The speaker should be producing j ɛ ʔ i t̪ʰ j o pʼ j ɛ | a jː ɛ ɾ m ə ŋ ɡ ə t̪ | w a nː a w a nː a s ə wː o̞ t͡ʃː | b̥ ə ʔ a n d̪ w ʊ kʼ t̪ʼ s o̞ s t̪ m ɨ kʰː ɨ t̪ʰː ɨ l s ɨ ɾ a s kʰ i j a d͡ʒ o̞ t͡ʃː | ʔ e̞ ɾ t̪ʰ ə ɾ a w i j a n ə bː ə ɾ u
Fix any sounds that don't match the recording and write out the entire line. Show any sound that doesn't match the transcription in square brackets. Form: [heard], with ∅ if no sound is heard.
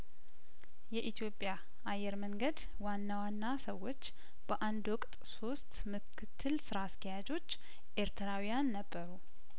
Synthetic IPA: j ɛ ʔ i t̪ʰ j o pʼ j [a] | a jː ɛ ɾ m ə ŋ ɡ ə [d̪] | w a nː a w a nː a s ə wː o̞ t͡ʃː | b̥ ə ʔ a n d̪ w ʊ kʼ t̪ʼ s o̞ s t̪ m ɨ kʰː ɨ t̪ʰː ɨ l s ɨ ɾ a s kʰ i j a d͡ʒ o̞ t͡ʃː | ʔ e̞ ɾ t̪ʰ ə ɾ a w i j a [nː] ə bː ə ɾ u

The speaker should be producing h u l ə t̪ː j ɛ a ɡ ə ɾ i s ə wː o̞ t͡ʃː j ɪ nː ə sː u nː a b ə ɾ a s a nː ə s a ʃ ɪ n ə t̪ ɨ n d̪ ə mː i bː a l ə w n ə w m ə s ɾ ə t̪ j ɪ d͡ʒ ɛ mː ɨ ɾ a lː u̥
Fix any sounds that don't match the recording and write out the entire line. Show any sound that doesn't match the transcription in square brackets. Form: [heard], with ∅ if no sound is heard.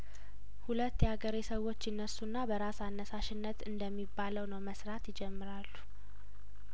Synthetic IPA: h u l ə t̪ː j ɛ a ɡ ə ɾ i s ə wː o̞ t͡ʃː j ɪ nː ə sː u nː a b ə ɾ a s a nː ə s a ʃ ɪ [nː] ə t̪ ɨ n d̪ ə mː i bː a l ə w n ə w m ə s ɾ [a] t̪ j ɪ d͡ʒ ɛ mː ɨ ɾ a lː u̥

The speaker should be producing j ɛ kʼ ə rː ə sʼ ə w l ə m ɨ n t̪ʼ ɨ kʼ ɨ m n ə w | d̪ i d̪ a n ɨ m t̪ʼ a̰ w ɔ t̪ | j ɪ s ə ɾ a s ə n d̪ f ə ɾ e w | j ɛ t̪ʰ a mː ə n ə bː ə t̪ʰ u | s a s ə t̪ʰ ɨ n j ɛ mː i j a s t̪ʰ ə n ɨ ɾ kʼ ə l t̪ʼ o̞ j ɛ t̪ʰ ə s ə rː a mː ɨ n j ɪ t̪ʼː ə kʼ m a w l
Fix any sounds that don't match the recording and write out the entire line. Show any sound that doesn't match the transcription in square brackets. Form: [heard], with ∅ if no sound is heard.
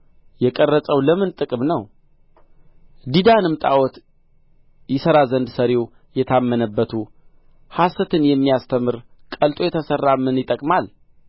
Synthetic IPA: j ɛ kʼ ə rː ə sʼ ə w l ə m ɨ n t̪ʼ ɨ kʼ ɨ m n ə w | d̪ i d̪ a n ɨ m t̪ʼ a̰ w ɔ t̪ | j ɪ s ə ɾ a [z] ə n d̪ [s] ə ɾ e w | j ɛ t̪ʰ a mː ə n ə bː ə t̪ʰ u | [h] a s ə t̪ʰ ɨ n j ɛ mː i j a s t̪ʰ ə [m] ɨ ɾ kʼ ə l t̪ʼ o̞ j ɛ t̪ʰ ə s ə rː a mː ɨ n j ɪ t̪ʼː ə kʼ m a [∅] l

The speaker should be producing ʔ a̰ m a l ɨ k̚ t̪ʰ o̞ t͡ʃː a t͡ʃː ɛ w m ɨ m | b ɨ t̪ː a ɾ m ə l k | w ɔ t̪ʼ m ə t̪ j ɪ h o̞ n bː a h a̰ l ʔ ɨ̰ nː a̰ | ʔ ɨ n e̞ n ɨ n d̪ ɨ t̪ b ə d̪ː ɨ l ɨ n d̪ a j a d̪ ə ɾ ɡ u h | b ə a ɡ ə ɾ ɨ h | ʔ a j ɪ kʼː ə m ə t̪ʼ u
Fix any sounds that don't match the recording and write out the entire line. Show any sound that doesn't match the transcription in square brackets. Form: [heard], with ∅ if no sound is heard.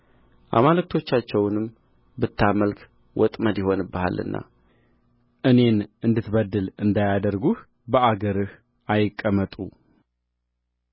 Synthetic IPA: ʔ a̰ m a l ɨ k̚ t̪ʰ o̞ t͡ʃː a t͡ʃː ɛ w [n] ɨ m | b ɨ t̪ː a [∅] m ə l k | w ɔ t̪ʼ m ə [d̪] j ɪ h o̞ n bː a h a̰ l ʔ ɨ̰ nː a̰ | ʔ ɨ n e̞ n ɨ n d̪ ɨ t̪ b ə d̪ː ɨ l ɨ n d̪ a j a d̪ ə ɾ ɡ u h | b ə a ɡ ə ɾ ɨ h | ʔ a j ɪ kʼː ə m ə t̪ʼ u

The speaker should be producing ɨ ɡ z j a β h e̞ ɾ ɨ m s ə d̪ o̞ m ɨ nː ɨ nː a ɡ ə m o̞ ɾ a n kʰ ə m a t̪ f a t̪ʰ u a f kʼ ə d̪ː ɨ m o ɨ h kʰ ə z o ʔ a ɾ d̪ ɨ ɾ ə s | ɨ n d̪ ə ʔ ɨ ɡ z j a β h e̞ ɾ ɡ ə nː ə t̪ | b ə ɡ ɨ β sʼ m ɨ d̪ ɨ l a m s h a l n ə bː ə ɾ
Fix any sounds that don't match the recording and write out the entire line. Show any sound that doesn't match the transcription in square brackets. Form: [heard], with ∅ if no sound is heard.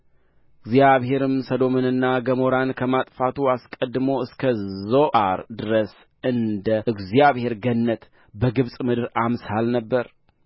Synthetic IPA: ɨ ɡ z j a β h e̞ ɾ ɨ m s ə d̪ o̞ m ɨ [n] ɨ nː a ɡ ə m o̞ ɾ a n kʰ ə m a [t̪ʼ] f a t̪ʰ u a [s] kʼ ə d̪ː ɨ m o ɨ [s] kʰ ə z o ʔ a ɾ d̪ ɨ ɾ ə s | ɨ n d̪ ə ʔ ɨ ɡ z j a β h e̞ ɾ ɡ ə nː ə t̪ | b ə ɡ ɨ β sʼ m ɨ d̪ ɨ [ɾ] a m s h a l n ə bː ə ɾ

